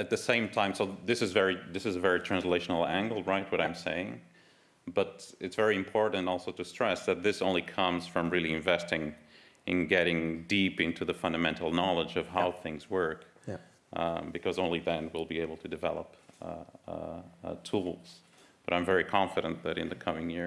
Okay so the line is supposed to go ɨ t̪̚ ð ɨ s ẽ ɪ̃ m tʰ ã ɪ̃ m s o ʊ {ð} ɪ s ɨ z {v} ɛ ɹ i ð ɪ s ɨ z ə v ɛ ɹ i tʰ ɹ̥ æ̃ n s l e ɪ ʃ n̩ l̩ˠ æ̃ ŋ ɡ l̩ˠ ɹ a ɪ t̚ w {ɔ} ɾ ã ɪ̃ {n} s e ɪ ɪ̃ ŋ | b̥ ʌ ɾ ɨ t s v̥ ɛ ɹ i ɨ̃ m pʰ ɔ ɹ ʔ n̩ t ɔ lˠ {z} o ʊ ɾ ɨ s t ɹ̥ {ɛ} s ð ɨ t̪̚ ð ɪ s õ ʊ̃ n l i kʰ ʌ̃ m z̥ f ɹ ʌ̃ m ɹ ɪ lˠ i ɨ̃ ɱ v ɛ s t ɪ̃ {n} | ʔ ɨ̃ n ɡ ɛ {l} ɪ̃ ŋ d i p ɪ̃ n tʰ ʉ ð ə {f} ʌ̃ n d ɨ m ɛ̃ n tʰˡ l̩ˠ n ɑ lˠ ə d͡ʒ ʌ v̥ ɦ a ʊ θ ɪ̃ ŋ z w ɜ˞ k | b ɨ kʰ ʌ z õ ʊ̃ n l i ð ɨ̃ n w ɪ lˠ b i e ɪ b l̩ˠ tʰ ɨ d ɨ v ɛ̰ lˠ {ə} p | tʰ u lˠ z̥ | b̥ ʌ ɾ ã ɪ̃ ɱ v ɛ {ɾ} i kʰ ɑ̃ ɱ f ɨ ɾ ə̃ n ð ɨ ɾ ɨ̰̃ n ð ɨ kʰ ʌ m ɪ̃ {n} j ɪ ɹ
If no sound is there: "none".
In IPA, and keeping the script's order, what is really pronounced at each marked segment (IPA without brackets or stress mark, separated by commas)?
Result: ð, v, ʌ, m, s, ɛ, ŋ, ɾ, f, ə, ɹ, ŋ